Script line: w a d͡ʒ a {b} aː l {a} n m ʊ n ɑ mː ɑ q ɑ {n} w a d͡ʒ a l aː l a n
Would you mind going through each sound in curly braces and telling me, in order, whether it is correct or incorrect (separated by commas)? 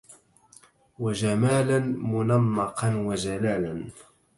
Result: incorrect, correct, correct